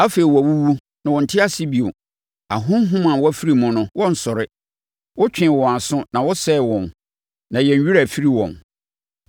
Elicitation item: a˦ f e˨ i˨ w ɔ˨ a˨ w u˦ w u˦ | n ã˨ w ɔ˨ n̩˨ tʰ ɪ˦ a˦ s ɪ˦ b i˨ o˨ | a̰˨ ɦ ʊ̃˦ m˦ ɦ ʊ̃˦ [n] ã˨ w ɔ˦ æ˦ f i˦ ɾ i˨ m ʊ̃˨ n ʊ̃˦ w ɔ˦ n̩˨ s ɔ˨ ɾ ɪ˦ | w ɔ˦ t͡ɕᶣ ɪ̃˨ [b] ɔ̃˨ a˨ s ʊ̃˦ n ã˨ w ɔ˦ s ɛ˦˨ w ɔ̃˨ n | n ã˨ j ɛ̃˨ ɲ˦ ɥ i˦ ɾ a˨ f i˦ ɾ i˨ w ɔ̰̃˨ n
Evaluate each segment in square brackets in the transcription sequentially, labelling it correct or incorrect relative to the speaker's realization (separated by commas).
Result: incorrect, incorrect